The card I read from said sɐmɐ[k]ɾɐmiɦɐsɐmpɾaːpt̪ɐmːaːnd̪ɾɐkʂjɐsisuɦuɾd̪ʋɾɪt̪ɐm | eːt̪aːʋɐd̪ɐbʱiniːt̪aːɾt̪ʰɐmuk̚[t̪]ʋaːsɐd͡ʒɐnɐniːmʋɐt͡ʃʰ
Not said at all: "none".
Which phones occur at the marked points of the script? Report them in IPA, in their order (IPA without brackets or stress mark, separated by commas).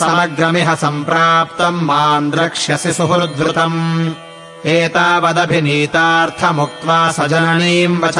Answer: ɡ, t̪